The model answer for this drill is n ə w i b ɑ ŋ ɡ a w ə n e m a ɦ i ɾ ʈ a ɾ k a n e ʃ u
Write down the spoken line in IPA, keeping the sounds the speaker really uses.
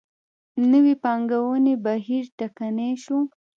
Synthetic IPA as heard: n ə w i p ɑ ŋ ɡ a w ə n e b a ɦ i ɾ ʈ a k a n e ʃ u